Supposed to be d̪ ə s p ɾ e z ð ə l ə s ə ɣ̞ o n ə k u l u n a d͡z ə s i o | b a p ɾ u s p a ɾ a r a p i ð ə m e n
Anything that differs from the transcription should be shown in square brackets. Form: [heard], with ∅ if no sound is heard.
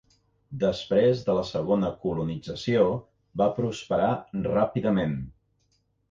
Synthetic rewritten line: d̪ ə s p ɾ e z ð ə l ə s ə ɣ̞ o n ə k u l u n [i] d͡z ə s i o | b a p ɾ u s p [ə] ɾ a r a p i ð ə m e n